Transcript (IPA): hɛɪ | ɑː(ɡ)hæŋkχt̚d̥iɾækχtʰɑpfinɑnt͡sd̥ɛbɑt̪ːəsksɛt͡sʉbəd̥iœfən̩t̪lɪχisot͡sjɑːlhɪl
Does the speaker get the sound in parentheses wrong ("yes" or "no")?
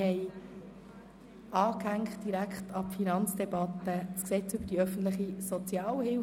yes